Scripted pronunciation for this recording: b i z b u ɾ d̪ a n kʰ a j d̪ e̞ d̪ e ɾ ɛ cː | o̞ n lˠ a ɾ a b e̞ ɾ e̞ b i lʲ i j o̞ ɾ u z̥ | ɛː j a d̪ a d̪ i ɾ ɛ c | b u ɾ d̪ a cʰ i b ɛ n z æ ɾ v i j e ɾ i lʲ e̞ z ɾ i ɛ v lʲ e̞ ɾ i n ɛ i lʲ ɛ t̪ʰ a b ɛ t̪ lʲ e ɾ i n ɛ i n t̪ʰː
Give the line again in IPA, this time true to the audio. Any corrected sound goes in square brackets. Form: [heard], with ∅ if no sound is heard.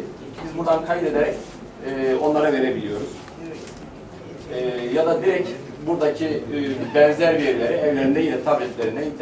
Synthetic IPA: b i z b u ɾ d̪ a n kʰ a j d̪ e̞ d̪ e ɾ ɛ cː | o̞ n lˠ a ɾ a [v] e̞ ɾ e̞ b i lʲ i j o̞ ɾ u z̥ | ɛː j a d̪ a d̪ i ɾ ɛ c | b u ɾ d̪ a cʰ i b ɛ n z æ ɾ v i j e ɾ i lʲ e̞ [∅] ɾ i ɛ v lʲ e̞ ɾ i n ɛ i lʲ ɛ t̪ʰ a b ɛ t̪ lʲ e ɾ i n ɛ i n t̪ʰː